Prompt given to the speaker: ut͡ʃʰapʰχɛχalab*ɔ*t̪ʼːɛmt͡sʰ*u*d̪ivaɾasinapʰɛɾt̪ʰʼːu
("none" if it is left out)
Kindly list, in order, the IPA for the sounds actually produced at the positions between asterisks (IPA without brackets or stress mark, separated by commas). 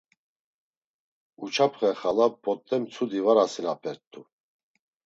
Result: ɔ, u